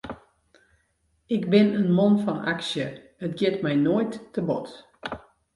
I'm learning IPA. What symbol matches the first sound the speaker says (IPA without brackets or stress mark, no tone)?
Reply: ɪ